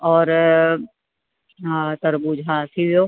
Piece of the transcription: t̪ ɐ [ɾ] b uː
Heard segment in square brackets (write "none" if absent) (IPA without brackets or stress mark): ɾ